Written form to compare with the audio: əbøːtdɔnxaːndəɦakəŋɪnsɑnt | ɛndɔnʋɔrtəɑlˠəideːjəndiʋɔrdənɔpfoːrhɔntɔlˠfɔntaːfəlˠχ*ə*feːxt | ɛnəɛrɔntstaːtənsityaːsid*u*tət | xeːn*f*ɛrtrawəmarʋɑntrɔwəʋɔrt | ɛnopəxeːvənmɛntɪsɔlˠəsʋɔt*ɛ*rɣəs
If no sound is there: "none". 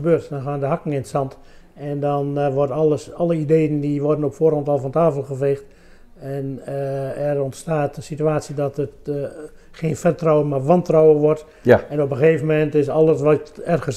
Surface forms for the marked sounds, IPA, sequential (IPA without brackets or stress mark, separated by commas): ə, ɔ, f, ɛ